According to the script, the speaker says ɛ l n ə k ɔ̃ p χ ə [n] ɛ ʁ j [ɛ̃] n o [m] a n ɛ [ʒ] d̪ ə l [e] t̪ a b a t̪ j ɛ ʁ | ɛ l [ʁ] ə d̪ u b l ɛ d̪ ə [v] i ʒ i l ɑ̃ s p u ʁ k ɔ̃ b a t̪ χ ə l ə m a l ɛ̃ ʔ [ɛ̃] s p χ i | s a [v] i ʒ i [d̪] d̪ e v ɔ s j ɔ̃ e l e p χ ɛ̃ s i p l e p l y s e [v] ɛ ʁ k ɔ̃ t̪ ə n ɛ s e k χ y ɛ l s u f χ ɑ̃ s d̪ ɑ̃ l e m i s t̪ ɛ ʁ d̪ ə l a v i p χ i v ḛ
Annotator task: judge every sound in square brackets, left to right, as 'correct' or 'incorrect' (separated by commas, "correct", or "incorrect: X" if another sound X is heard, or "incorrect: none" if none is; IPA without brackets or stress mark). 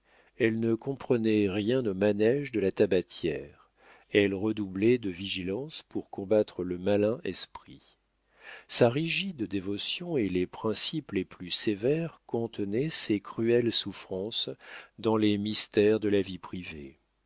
correct, correct, correct, correct, incorrect: a, correct, correct, incorrect: ɛ, incorrect: ʁ, correct, correct